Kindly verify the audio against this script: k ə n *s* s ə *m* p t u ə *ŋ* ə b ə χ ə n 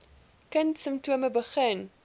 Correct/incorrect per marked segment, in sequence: incorrect: t, correct, incorrect: m

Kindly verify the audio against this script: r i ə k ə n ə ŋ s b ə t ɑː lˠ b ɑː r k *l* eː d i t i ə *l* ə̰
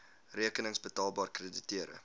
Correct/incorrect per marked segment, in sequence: incorrect: r, incorrect: ɾ

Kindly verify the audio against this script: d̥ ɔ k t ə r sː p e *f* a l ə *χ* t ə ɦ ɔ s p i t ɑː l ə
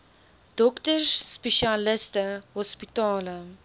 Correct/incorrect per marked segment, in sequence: incorrect: ʃ, incorrect: s

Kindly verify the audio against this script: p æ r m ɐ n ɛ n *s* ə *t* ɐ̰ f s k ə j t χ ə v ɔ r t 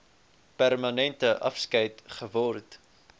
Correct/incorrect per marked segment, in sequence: incorrect: t, incorrect: ʔ

